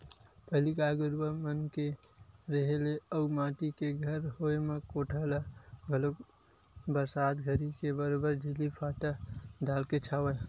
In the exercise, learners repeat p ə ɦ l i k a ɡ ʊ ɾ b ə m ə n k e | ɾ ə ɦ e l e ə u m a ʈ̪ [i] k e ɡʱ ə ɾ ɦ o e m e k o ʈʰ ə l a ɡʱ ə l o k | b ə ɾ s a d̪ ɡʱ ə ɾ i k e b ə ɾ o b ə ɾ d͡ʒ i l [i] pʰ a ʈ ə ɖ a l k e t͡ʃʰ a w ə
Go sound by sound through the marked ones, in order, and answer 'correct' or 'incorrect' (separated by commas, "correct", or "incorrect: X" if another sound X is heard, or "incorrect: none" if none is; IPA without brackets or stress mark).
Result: correct, correct